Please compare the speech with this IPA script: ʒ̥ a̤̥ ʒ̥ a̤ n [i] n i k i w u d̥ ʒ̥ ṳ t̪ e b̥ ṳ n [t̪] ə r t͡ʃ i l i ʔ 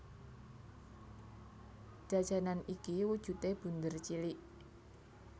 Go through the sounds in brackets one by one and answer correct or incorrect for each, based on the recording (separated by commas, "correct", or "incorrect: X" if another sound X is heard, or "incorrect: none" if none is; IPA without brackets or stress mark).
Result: incorrect: a, incorrect: d̪